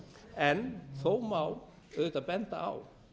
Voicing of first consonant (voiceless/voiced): voiced